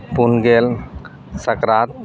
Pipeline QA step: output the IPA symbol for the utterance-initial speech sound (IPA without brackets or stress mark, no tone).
p